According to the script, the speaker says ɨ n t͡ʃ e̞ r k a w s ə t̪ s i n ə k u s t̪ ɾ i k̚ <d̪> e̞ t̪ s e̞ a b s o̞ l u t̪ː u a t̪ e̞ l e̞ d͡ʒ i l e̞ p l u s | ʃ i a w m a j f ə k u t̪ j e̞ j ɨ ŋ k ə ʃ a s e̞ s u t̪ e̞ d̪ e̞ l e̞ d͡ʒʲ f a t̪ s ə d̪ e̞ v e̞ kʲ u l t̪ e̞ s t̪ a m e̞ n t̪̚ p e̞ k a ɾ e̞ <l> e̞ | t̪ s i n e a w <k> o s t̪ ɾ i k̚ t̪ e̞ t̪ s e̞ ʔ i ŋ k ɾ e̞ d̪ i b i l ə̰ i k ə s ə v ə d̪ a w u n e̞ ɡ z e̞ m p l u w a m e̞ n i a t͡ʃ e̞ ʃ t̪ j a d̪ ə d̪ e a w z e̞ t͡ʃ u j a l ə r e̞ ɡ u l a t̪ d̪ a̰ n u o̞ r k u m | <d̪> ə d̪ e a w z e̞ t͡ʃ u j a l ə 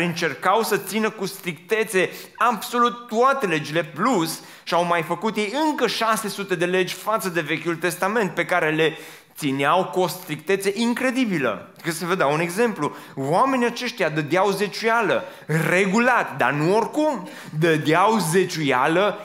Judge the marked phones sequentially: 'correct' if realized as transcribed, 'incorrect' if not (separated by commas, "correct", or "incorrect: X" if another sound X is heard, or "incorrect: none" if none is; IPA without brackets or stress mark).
incorrect: t̪, correct, correct, correct